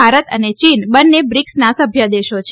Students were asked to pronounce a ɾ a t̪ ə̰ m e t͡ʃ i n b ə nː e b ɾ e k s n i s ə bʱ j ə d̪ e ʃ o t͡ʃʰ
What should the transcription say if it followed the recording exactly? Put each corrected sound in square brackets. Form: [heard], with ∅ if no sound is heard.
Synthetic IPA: a ɾ [ə] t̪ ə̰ [n] e t͡ʃ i n b ə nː e b ɾ [i] k s n [a] s ə bʱ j ə d̪ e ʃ o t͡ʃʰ